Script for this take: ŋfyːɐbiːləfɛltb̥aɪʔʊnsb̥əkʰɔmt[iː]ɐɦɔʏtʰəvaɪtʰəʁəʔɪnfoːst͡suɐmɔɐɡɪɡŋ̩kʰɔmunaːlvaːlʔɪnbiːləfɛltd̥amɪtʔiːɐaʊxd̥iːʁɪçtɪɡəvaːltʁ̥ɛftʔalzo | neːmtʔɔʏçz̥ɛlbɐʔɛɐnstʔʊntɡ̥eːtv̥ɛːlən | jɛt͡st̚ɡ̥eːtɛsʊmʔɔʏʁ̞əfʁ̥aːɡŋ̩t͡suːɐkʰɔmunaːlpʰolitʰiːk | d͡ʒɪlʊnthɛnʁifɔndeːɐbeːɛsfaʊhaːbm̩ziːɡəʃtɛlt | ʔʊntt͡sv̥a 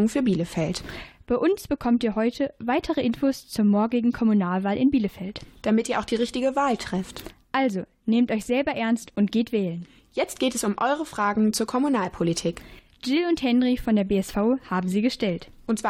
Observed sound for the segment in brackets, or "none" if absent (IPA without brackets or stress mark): iː